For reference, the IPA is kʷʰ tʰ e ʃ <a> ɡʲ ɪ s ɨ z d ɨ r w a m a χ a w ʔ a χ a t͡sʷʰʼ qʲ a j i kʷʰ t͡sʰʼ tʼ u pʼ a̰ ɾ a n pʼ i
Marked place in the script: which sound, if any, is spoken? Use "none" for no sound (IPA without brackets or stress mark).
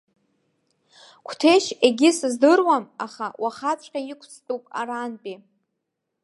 e